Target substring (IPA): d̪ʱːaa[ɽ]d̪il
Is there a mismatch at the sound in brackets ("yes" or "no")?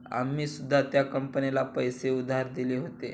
yes